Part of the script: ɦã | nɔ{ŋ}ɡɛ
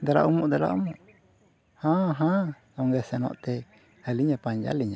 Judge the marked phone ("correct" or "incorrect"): correct